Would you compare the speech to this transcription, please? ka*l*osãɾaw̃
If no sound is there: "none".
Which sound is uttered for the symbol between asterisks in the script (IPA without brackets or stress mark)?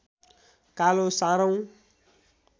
l